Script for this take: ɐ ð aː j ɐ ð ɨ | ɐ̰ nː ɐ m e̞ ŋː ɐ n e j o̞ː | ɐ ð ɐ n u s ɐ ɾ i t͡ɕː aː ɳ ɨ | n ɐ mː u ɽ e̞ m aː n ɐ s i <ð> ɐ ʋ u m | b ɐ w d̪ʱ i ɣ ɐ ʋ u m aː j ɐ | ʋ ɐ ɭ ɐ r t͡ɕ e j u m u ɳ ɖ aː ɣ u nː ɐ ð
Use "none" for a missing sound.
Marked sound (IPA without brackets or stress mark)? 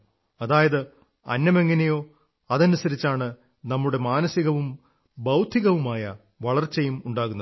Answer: ɣ